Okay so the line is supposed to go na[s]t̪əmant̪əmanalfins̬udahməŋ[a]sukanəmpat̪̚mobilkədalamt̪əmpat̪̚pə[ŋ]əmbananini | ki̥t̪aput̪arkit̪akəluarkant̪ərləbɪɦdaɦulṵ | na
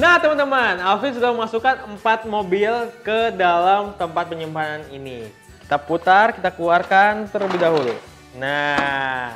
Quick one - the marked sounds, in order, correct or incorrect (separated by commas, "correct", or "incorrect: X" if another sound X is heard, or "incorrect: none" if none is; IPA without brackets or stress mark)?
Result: incorrect: h, correct, incorrect: ɲ